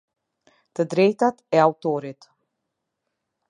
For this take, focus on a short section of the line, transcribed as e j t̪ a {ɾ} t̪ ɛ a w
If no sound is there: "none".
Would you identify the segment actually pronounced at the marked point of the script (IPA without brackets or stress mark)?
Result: none